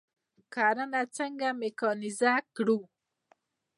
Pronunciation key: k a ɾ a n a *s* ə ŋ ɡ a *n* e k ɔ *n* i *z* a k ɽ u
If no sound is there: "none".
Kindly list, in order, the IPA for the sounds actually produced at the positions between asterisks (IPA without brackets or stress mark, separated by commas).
t͡s, m, n, z